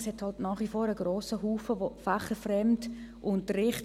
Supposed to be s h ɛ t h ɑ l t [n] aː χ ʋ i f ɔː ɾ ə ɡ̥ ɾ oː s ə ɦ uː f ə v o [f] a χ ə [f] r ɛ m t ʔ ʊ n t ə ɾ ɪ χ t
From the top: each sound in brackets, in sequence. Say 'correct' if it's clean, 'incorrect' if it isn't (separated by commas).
correct, correct, correct